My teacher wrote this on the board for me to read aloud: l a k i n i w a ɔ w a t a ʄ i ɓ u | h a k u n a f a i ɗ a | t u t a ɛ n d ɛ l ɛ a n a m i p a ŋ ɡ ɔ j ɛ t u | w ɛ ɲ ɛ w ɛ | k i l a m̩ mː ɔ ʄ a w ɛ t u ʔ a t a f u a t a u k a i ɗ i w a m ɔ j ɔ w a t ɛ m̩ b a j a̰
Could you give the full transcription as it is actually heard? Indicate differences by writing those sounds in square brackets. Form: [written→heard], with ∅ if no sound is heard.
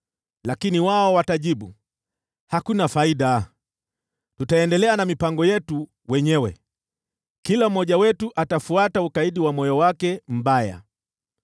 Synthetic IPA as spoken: l a k i n i w a ɔ w a t a ʄ i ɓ u | h a k u n a f a i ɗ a | t u t a ɛ n d ɛ l ɛ a n a m i p a ŋ ɡ ɔ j ɛ t u | w ɛ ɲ ɛ w ɛ | k i l a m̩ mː ɔ ʄ a w ɛ t u ʔ a t a f u a t a u k a i ɗ i w a m ɔ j ɔ w a [t→k] ɛ m̩ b a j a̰